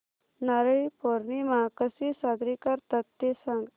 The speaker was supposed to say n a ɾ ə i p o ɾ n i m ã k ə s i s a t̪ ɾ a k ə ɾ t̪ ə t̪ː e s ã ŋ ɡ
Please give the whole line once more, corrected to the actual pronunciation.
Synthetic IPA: n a ɾ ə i p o ɾ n i m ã k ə s i s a d̪ ɾ i k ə ɾ t̪ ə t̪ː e s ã ŋ ɡ